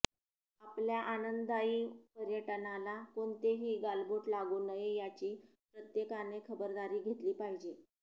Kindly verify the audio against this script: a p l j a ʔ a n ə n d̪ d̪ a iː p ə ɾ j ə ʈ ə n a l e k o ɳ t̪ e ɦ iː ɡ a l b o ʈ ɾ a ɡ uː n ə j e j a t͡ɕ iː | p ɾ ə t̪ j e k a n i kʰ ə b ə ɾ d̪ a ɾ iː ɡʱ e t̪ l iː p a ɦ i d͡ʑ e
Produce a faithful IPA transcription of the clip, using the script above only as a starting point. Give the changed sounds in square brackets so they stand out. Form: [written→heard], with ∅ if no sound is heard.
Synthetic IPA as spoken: a p l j a ʔ a n ə n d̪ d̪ a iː p ə ɾ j ə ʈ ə n a l [e→a] k o ɳ t̪ e ɦ iː ɡ a l b o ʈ [ɾ→l] a ɡ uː n ə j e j a t͡ɕ iː | p ɾ ə t̪ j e k a n [i→e] kʰ ə b ə ɾ d̪ a ɾ iː ɡʱ e t̪ l iː p a ɦ i d͡ʑ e